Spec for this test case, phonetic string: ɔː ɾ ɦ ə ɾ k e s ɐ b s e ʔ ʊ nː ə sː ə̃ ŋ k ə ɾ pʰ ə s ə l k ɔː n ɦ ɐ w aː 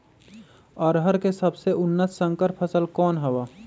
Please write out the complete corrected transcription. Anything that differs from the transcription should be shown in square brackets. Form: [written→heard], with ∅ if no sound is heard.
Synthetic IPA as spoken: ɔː ɾ ɦ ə ɾ k e s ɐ b s e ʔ ʊ nː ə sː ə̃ ŋ k ə ɾ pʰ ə s ə l k ɔː n ɦ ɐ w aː